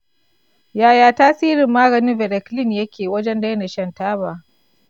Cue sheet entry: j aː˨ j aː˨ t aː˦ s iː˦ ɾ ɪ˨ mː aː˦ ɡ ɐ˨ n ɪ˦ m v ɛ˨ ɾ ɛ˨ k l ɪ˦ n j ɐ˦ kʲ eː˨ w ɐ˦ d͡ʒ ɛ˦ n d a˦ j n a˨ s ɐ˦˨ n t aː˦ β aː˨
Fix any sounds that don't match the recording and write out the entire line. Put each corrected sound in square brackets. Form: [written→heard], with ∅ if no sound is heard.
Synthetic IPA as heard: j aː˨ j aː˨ t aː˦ s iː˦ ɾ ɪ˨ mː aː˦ ɡ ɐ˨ n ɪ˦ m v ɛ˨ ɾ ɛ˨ k l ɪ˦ n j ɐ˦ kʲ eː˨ w ɐ˦ d͡ʒ ɛ˦ n d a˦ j n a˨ [s→ʃ] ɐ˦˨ n t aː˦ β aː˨